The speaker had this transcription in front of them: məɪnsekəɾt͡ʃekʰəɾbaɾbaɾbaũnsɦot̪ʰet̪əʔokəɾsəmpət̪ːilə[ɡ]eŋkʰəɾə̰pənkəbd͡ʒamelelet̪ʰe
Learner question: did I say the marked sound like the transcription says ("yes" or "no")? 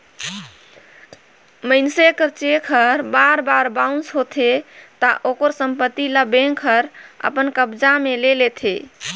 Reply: no